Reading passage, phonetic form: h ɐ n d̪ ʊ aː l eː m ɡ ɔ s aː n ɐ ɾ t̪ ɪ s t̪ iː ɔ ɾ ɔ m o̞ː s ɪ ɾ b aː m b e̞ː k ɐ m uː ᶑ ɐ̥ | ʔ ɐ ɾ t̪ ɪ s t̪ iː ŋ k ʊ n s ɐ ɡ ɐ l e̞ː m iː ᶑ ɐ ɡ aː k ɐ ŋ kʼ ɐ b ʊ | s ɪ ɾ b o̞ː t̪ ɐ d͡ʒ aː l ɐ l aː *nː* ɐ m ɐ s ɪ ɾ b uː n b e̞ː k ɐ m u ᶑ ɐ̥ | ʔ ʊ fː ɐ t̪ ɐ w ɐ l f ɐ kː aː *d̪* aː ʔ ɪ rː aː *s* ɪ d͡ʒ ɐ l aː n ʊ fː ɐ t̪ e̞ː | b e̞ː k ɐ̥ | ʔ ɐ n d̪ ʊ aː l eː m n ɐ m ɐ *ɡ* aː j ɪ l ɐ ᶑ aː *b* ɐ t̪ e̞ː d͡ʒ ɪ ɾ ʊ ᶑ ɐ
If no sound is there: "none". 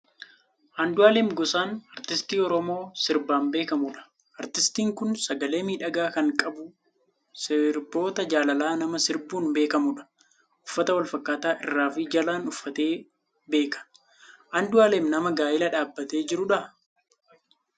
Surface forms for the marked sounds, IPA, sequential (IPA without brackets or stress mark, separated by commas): n, t̪, f, ɡ, bː